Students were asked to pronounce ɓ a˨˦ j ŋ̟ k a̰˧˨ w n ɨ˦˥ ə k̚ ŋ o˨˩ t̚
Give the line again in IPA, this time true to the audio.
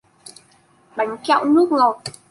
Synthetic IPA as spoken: ɓ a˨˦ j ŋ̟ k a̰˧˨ w n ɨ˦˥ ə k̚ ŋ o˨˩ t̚